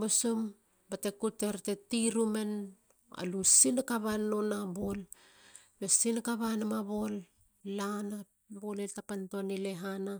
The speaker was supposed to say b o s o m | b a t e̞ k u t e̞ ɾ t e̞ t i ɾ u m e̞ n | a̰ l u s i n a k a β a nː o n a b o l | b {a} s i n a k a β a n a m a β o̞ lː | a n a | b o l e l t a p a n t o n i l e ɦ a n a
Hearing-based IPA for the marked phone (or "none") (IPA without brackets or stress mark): e